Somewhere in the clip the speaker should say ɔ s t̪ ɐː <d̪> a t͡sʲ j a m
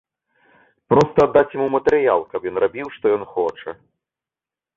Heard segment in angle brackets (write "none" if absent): d̪ː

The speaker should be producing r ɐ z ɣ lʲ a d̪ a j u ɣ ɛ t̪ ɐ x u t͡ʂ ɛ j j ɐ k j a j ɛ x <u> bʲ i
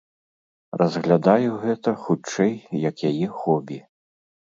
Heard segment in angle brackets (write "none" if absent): ɔ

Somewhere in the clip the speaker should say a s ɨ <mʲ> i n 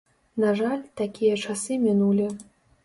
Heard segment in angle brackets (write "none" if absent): mʲ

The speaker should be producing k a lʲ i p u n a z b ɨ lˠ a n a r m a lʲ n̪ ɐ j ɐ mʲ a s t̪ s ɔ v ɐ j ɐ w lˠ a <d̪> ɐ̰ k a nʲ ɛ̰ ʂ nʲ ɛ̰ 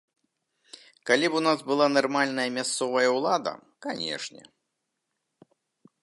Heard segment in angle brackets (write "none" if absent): d̪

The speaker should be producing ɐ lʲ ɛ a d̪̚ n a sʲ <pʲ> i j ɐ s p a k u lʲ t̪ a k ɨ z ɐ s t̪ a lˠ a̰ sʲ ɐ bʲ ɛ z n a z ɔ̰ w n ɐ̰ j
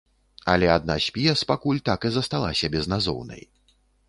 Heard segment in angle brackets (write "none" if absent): pʲ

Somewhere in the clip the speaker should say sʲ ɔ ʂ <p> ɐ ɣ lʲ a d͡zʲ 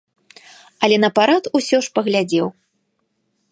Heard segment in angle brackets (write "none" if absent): p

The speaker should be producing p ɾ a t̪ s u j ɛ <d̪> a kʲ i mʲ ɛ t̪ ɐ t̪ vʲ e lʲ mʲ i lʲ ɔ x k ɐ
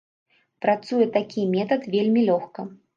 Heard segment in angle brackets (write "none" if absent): t̪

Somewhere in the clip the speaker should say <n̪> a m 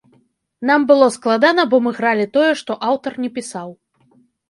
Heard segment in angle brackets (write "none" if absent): n̪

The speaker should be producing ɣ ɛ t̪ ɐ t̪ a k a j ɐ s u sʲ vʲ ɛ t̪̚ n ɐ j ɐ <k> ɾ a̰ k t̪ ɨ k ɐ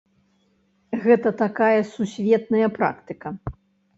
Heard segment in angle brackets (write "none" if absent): p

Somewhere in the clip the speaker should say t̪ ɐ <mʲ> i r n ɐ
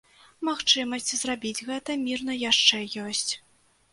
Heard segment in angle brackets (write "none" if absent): mʲ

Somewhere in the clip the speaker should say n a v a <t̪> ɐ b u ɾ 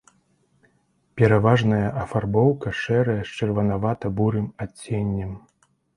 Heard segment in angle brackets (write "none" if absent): t̪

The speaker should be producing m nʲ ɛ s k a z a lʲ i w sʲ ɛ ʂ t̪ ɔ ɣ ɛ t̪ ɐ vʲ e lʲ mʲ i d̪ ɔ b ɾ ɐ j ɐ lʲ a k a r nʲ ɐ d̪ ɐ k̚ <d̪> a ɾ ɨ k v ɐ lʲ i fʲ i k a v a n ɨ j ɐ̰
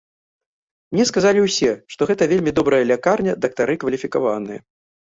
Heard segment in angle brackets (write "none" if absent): t̪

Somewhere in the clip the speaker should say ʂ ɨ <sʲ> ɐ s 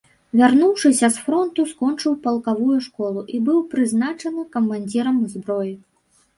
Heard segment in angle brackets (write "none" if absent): sʲ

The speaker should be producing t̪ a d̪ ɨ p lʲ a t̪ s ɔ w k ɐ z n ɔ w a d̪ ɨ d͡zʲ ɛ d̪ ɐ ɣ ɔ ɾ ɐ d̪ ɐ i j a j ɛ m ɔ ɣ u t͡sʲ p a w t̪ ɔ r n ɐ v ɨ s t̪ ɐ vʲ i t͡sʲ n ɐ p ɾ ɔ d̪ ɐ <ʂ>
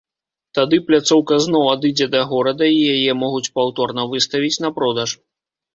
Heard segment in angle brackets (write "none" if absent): ʂ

